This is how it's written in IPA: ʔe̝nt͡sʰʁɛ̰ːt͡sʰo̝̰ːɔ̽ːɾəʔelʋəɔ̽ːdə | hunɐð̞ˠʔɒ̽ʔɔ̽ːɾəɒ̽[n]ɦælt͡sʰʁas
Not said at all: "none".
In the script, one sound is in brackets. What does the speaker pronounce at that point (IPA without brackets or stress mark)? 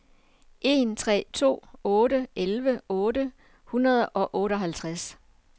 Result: none